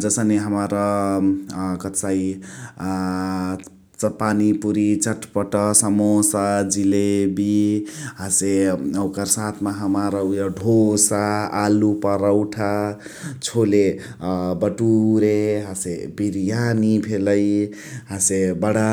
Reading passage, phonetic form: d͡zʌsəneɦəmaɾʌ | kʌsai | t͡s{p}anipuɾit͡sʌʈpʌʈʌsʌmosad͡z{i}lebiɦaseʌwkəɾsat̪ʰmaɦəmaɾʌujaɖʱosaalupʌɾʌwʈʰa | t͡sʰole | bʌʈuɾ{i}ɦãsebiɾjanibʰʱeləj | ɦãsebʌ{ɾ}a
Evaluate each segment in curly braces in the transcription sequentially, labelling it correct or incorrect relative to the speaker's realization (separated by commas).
correct, correct, incorrect, incorrect